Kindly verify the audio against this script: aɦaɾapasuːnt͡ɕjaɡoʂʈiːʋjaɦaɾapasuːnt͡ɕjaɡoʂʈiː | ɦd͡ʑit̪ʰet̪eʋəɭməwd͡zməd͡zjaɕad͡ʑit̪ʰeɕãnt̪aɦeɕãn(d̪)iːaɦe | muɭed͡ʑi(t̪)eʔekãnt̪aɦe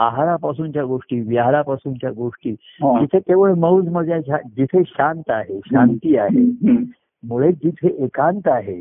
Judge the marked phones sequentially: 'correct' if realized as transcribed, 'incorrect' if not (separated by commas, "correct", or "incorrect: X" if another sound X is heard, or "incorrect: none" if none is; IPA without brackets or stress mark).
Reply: incorrect: t̪, incorrect: t̪ʰ